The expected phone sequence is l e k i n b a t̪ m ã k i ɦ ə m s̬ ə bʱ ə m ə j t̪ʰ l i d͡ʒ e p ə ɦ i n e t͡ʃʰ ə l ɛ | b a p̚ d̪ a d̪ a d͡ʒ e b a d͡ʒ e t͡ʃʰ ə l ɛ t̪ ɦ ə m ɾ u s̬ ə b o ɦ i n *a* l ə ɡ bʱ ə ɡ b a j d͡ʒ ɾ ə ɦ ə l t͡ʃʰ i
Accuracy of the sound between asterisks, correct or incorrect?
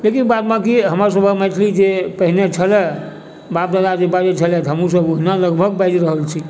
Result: correct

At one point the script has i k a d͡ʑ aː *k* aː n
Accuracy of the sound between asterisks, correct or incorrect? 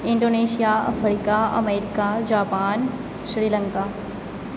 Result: incorrect: p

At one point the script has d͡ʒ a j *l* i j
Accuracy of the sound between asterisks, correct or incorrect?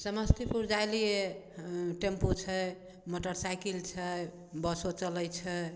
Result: correct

